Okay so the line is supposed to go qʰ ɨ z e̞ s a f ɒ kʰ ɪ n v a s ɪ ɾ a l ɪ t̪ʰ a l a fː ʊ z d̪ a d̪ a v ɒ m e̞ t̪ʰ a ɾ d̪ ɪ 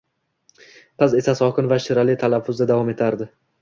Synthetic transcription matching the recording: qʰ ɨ z e̞ s a s ɒ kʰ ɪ n v a ʃ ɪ ɾ a l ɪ t̪ʰ a l a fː ʊ z d̪ a d̪ a v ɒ m e̞ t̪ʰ a ɾ d̪ ɪ